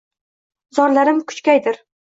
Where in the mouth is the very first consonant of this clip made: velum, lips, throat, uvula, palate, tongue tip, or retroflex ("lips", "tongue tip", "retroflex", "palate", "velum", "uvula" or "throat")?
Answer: tongue tip